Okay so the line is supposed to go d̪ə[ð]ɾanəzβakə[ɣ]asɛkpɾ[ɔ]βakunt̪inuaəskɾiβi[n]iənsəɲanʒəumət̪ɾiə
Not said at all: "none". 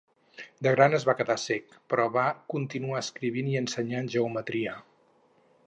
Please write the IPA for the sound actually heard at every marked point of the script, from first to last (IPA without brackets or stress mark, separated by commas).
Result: ɣ, ð, ɔ, n